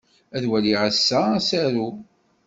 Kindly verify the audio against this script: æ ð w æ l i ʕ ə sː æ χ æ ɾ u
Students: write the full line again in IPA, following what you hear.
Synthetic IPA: æ ð w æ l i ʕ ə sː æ s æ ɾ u